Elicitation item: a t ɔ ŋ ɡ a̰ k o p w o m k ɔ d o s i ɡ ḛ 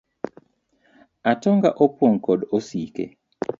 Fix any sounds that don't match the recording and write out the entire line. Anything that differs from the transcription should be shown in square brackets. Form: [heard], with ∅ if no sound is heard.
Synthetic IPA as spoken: a t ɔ ŋ ɡ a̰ [ʔ] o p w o [ŋ] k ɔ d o s i [k] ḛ